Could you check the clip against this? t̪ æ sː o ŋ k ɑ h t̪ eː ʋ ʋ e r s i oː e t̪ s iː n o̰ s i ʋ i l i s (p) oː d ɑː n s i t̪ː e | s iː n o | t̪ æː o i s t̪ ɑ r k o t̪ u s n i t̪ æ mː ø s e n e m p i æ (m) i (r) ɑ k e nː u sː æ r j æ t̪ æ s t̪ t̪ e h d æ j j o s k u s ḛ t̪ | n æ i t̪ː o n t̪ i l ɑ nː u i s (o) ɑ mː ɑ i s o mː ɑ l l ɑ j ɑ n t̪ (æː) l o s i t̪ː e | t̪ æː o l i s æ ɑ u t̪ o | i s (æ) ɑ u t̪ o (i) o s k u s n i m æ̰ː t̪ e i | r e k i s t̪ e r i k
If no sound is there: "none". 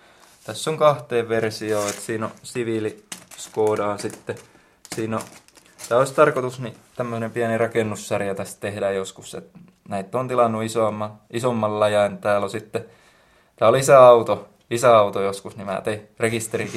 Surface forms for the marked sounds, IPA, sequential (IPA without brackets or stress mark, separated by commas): k, n, r, o, æː, æ, j